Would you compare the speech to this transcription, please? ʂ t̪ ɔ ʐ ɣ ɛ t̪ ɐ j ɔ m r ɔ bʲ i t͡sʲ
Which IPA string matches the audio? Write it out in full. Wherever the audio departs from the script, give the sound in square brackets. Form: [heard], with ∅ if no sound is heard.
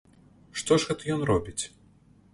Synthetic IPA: ʂ t̪ ɔ ʐ ɣ ɛ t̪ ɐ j ɔ [n] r ɔ bʲ i t͡sʲ

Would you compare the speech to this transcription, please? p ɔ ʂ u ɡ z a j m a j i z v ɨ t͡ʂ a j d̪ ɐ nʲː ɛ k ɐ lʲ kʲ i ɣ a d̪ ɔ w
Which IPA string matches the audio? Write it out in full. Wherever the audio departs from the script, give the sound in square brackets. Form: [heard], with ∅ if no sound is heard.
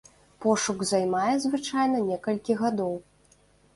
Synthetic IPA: p ɔ ʂ u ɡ z a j m a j [ɛ] z v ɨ t͡ʂ a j [n̪] ɐ [nʲ] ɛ k ɐ lʲ kʲ i ɣ a d̪ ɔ w

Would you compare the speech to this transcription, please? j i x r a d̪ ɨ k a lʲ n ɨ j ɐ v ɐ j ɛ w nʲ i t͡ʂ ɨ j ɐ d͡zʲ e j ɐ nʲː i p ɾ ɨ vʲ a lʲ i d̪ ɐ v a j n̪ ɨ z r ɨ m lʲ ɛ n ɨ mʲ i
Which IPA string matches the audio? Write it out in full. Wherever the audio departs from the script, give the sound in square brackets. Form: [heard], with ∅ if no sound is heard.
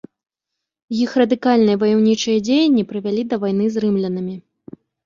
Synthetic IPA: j i x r [ɐ] d̪ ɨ k a lʲ n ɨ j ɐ v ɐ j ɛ w nʲ i t͡ʂ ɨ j ɐ d͡zʲ e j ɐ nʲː i p ɾ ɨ vʲ a lʲ i d̪ ɐ v a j n̪ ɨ z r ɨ m lʲ ɛ n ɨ mʲ i

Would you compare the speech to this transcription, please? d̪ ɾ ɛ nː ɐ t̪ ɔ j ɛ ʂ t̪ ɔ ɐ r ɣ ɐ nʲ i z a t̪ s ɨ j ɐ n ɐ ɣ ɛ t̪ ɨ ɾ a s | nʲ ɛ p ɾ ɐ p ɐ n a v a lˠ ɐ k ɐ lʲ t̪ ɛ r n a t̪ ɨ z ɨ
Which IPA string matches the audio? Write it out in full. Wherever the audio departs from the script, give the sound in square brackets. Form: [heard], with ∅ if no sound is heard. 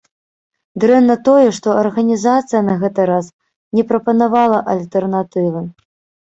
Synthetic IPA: d̪ ɾ ɛ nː ɐ t̪ ɔ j ɛ ʂ t̪ ɔ ɐ r ɣ ɐ nʲ i z a t̪ s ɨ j ɐ n ɐ ɣ ɛ t̪ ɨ ɾ a s | nʲ ɛ p ɾ ɐ p ɐ n a v a lˠ ɐ [ʔ] ɐ lʲ t̪ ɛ r n a t̪ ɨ [v] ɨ

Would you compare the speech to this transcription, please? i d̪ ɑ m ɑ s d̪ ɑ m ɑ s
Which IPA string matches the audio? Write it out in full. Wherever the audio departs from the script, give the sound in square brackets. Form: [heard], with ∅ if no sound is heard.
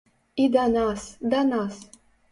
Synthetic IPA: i d̪ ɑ [n] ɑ s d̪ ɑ [n] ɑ s

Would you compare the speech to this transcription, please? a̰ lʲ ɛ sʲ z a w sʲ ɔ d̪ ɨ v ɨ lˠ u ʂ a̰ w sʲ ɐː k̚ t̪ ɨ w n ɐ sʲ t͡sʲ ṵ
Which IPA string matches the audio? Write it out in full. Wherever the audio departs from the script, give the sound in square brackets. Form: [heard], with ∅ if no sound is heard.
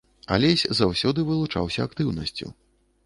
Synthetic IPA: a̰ lʲ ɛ sʲ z a w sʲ ɔ d̪ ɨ v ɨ lˠ u [t͡ʂ] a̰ w sʲ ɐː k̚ t̪ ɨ w n ɐ sʲ t͡sʲ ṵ

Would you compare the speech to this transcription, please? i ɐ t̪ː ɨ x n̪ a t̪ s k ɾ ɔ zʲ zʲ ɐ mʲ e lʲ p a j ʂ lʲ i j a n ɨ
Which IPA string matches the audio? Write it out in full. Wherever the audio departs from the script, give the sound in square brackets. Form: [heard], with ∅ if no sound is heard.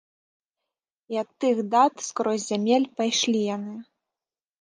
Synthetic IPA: i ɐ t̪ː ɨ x [d̪] a t̪ s k ɾ ɔ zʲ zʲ [a] mʲ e lʲ p a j ʂ lʲ i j a n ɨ

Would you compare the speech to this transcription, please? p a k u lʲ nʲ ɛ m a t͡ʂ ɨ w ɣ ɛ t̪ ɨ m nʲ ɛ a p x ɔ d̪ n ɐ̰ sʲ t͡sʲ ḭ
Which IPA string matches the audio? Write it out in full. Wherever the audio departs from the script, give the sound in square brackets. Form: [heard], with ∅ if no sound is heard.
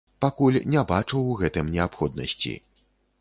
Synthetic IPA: p a k u lʲ nʲ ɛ [b] a t͡ʂ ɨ w ɣ ɛ t̪ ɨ m nʲ ɛ a p x ɔ d̪ n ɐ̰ sʲ t͡sʲ ḭ

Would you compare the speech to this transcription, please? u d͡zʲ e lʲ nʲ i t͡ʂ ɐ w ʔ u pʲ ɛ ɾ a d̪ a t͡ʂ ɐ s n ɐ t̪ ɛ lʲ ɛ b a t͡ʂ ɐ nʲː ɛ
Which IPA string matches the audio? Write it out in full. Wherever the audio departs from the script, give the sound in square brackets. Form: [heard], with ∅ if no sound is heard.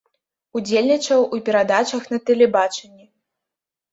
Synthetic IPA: u d͡zʲ e lʲ nʲ i t͡ʂ ɐ w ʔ u pʲ ɛ ɾ a d̪ a t͡ʂ ɐ [x] n ɐ t̪ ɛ lʲ ɛ b a t͡ʂ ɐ nʲː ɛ

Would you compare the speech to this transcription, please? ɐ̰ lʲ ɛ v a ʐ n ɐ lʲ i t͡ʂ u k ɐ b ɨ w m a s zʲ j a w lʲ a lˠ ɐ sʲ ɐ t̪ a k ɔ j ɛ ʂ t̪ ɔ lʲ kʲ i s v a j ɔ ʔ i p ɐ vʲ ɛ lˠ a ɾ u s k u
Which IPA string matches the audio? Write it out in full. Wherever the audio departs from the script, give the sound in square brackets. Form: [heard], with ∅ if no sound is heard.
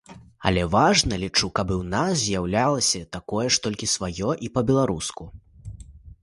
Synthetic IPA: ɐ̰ lʲ ɛ v a ʐ n ɐ lʲ i t͡ʂ u k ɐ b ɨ w [n] a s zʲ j a w lʲ a lˠ ɐ sʲ ɐ t̪ a k ɔ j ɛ ʂ t̪ ɔ lʲ kʲ i s v a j ɔ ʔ i p ɐ [bʲ] ɛ lˠ a ɾ u s k u

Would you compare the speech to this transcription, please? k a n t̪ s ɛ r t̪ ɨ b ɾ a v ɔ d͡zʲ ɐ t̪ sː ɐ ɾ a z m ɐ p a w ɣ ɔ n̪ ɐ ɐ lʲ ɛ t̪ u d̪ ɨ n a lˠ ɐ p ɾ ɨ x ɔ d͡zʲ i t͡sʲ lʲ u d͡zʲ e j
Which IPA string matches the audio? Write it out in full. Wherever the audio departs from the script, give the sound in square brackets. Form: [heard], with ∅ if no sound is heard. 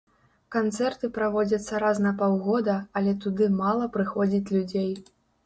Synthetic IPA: k a n t̪ s ɛ r t̪ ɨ [p] ɾ a v ɔ d͡zʲ ɐ t̪ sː ɐ ɾ a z [n] ɐ p a w ɣ ɔ [d̪] ɐ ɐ lʲ ɛ t̪ u d̪ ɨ [m] a lˠ ɐ p ɾ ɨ x ɔ d͡zʲ i t͡sʲ lʲ u d͡zʲ e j

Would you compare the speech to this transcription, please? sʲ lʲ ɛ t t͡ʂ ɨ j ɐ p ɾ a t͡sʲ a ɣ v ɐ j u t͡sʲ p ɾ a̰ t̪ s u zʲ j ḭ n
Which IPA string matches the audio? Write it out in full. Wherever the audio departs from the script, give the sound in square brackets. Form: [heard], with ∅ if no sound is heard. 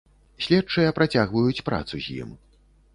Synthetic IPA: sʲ lʲ ɛ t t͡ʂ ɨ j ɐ p ɾ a t͡sʲ a ɣ v ɐ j u t͡sʲ p ɾ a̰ t̪ s u zʲ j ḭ [m]

